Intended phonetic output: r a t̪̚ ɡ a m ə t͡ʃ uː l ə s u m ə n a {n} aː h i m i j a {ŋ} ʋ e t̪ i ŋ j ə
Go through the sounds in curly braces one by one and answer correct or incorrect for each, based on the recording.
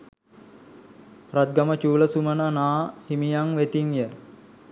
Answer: correct, correct

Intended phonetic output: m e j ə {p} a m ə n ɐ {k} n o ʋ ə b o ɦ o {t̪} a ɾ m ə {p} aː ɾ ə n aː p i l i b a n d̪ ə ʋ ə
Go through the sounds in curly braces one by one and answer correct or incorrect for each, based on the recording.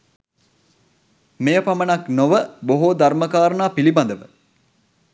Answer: correct, correct, incorrect: d̪, incorrect: k

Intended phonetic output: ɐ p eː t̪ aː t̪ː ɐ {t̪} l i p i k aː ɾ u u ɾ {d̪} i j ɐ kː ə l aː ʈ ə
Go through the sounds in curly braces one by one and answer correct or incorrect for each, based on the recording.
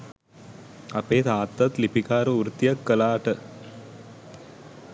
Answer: correct, incorrect: t̪

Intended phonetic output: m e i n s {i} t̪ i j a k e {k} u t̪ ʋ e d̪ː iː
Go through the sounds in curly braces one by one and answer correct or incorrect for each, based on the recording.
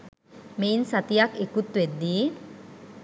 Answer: incorrect: a, correct

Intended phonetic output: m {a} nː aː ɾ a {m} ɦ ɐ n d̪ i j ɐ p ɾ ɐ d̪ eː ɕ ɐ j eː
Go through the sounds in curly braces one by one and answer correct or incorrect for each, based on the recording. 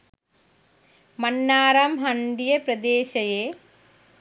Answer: incorrect: ɐ, correct

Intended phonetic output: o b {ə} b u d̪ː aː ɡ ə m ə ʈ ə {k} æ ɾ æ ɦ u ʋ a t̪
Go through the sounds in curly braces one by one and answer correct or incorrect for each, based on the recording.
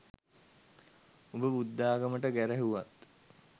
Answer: correct, incorrect: ɡ

